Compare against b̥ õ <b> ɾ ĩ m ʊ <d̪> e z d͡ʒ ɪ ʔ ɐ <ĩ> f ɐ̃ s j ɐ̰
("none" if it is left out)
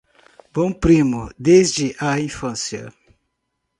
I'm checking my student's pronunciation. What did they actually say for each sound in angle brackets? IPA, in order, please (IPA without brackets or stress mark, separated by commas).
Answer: p, d̪, ĩ